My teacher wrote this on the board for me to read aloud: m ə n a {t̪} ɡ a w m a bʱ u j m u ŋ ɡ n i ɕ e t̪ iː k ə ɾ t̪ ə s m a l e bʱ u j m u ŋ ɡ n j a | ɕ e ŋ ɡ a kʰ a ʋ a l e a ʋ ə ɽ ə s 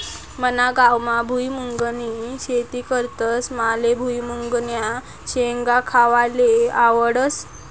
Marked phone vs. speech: incorrect: none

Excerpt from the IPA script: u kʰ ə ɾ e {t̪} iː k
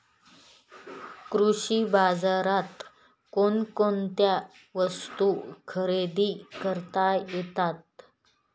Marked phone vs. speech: incorrect: d̪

